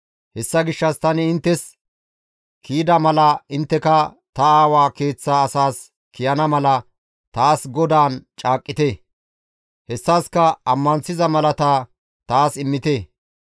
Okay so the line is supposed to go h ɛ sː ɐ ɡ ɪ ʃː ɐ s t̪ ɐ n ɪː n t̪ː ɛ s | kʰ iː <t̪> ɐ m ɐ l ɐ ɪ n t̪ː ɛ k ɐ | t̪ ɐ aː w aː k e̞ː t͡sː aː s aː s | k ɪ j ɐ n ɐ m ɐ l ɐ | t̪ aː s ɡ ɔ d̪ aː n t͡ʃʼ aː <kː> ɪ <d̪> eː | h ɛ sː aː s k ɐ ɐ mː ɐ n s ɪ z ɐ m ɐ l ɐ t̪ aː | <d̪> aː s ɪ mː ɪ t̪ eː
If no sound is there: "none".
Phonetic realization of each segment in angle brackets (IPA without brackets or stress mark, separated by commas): d̪, kʼː, t̪, t̪